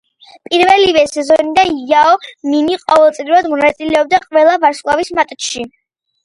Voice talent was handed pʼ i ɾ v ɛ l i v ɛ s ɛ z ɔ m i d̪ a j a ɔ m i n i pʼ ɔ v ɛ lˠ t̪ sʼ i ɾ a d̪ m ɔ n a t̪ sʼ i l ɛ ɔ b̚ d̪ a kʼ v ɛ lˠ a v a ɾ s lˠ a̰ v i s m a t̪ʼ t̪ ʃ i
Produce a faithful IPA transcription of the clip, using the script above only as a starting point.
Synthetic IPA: pʼ i ɾ v ɛ l i v ɛ s ɛ z ɔ n i d̪ a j a ɔ m i n i qʼ ɔ v ɛ lˠ t̪ sʼ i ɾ a d̪ m ɔ n a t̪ sʼ i l ɛ ɔ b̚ d̪ a qʼ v ɛ lˠ a v a ɾ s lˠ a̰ v i s m a t̪ʼ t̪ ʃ i